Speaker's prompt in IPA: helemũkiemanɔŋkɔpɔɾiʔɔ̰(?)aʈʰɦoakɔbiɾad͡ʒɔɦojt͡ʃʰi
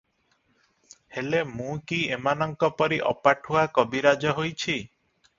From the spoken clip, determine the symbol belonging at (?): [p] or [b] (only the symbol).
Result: p